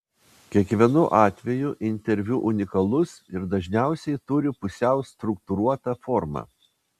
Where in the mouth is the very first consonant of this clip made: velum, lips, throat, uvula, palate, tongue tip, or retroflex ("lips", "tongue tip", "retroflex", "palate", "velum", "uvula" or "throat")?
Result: velum